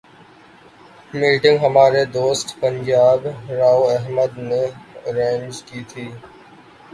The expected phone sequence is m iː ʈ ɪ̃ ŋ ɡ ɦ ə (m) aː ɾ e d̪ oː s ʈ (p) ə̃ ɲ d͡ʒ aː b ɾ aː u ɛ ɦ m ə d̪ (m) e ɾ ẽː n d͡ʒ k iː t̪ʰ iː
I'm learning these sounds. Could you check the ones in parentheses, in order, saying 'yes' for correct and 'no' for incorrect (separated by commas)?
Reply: yes, yes, no